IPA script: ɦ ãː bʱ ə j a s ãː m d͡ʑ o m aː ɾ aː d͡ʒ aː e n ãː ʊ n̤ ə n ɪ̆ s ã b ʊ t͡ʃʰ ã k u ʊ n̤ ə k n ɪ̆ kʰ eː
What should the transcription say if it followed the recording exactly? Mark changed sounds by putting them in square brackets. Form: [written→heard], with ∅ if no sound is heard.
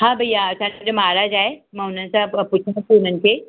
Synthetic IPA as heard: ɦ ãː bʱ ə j a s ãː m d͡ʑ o m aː ɾ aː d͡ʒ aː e [n→m] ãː ʊ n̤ ə n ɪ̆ s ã [b→p] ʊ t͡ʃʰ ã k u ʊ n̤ ə [k→∅] n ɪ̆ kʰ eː